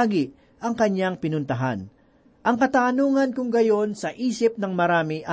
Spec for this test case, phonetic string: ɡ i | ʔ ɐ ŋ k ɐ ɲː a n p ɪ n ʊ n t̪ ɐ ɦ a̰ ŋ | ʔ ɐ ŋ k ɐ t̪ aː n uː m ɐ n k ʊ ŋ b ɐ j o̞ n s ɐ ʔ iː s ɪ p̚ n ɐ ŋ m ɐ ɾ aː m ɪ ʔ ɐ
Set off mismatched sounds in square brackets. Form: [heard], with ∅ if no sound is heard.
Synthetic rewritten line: ɡ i | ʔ ɐ ŋ k ɐ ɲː a [ŋ] p ɪ n ʊ n t̪ ɐ ɦ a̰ [n] | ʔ ɐ ŋ k ɐ t̪ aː n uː [ŋ] ɐ n k ʊ ŋ [ɡ] ɐ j o̞ n s ɐ ʔ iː s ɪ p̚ n ɐ ŋ m ɐ ɾ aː m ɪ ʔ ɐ